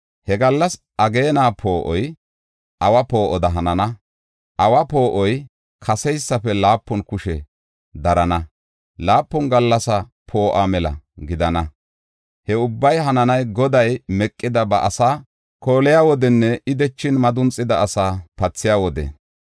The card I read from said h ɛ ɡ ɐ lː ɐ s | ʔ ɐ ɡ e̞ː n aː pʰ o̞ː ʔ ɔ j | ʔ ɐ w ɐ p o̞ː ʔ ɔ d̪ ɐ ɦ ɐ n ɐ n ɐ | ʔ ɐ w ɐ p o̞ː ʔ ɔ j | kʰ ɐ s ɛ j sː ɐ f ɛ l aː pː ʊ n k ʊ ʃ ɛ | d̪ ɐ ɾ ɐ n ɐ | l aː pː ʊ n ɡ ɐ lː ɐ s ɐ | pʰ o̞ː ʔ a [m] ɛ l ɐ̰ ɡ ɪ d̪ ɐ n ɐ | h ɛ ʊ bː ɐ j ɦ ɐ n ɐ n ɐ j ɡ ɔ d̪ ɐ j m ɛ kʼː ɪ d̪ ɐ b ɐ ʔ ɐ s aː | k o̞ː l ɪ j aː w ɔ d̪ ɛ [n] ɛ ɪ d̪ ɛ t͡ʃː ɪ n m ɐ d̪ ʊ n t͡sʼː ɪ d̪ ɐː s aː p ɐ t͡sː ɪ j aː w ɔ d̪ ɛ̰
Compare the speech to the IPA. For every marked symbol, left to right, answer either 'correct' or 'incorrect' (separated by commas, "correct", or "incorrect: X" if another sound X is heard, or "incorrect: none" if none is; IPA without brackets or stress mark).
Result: correct, incorrect: nː